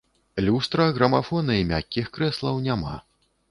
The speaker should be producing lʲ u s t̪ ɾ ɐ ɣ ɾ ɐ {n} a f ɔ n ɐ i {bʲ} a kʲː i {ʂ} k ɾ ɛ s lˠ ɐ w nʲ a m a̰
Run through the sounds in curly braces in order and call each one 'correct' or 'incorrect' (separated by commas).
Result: incorrect, incorrect, incorrect